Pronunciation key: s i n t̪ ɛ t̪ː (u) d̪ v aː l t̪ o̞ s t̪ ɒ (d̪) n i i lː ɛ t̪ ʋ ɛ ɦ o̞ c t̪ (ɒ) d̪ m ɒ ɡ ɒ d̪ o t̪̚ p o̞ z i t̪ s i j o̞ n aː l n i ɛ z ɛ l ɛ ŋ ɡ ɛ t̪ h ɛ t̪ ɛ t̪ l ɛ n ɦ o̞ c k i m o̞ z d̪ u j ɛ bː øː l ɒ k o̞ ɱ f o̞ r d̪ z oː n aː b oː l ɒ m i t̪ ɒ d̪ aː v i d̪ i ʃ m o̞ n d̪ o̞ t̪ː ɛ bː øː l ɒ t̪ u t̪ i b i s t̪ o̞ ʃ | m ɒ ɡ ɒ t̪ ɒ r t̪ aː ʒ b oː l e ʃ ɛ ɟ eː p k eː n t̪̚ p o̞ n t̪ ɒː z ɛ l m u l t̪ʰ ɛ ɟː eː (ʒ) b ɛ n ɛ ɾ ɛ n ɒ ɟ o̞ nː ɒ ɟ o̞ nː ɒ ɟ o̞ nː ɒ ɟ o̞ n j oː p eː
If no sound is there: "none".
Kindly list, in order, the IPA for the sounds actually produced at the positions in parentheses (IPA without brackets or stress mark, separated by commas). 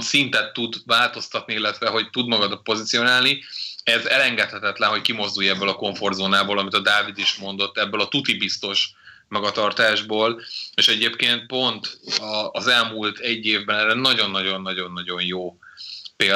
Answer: u, t̪, u, v